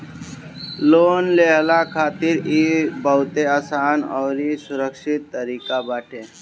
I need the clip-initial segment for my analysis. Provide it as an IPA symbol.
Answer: l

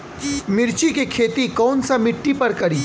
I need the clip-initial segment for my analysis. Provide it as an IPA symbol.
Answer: m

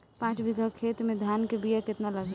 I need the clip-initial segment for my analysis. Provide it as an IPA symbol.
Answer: p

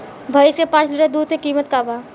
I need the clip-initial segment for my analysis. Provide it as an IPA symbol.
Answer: bʱ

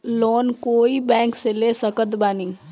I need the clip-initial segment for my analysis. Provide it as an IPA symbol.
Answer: l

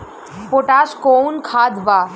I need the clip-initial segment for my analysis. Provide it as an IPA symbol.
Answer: p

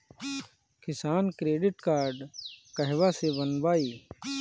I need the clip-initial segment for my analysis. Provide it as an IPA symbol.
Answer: k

